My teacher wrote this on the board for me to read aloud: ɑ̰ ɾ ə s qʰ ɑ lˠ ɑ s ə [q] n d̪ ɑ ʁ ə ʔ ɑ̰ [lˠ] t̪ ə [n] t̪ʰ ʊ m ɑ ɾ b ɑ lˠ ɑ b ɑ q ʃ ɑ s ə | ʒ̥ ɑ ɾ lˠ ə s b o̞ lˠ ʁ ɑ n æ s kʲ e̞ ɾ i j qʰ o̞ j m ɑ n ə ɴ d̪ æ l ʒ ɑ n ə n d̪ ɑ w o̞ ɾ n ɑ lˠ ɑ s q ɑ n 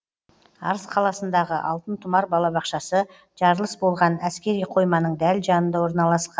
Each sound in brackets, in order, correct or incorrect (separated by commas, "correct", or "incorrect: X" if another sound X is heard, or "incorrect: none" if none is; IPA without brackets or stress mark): incorrect: none, correct, correct